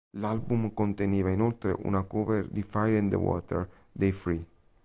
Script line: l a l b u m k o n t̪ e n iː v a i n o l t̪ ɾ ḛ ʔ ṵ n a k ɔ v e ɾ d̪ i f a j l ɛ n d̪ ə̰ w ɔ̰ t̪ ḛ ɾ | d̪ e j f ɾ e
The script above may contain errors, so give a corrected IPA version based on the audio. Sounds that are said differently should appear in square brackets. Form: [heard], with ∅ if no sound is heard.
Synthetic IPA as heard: l a l b u m k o n t̪ e n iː v a i n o l t̪ ɾ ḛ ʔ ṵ n a k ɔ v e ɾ d̪ i f a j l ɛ n d̪ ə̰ w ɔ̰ t̪ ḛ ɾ | d̪ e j f ɾ [i]